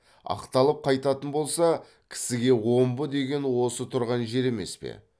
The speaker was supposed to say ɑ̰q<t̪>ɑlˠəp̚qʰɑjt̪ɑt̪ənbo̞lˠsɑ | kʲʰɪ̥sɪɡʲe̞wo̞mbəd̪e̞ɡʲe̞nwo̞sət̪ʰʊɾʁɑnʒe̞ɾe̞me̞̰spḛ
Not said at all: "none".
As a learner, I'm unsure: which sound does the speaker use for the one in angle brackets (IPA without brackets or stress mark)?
t̪